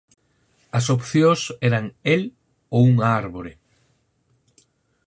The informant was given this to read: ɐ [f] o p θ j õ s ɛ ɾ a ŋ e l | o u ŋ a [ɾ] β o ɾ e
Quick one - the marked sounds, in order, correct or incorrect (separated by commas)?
incorrect, correct